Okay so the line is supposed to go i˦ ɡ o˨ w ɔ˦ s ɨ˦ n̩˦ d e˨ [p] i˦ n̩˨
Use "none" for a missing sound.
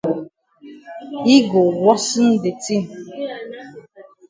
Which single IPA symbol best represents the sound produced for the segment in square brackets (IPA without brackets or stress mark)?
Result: t